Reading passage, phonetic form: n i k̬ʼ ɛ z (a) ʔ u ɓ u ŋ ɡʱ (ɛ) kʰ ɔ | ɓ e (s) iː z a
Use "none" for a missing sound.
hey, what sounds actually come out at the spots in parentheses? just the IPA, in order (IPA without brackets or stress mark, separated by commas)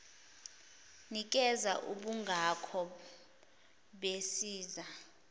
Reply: a, a, s